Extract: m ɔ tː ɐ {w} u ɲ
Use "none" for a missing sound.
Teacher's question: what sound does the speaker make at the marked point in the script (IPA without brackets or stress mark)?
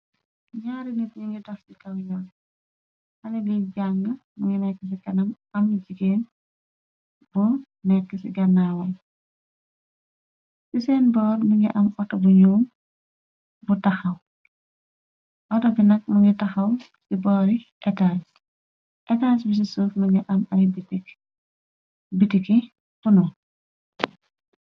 b